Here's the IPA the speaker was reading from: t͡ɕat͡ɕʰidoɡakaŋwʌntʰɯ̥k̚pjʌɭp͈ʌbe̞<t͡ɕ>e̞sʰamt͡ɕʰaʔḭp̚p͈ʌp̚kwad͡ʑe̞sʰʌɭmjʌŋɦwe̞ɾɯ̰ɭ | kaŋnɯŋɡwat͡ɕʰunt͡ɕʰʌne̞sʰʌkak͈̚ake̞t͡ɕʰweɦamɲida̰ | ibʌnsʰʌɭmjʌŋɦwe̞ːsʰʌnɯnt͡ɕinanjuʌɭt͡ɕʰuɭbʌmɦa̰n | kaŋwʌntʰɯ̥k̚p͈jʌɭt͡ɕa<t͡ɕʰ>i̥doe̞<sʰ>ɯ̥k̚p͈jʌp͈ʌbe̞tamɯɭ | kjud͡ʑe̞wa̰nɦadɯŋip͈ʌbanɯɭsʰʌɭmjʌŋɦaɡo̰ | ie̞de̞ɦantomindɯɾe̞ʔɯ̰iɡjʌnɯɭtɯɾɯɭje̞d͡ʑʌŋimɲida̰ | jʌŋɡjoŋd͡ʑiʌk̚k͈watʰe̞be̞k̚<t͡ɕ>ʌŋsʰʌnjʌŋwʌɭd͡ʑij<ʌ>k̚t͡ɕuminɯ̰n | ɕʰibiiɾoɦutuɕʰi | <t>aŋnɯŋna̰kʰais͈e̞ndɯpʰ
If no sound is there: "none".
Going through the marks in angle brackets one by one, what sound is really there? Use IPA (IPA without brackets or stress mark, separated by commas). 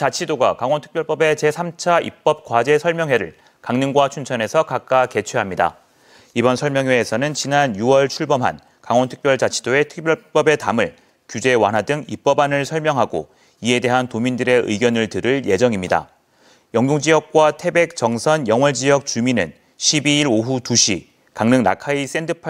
t͡ɕ, t͡ɕʰ, tʰ, t͡ɕ, ʌ, k